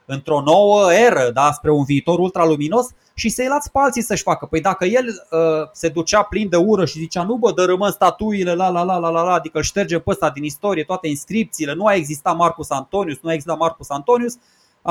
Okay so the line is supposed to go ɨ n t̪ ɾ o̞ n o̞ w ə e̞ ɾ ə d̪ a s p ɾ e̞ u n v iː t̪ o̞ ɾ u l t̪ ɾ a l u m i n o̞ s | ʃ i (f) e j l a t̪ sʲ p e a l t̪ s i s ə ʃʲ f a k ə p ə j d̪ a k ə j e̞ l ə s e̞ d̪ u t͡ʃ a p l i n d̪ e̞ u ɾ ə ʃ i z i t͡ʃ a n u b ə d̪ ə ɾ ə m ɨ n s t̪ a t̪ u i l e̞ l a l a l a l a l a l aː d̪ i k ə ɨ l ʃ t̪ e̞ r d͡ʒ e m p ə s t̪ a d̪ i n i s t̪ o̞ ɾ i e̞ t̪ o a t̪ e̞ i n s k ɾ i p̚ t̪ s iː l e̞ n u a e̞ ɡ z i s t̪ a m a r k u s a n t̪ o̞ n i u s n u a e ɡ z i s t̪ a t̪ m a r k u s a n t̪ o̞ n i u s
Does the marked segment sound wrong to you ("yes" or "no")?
yes